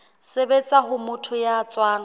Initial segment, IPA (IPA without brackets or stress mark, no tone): s